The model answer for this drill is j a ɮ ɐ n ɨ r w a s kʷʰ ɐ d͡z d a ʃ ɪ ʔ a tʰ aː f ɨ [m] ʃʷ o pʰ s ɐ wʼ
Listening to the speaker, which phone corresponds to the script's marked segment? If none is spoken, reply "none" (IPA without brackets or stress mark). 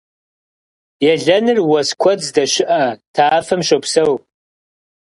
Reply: m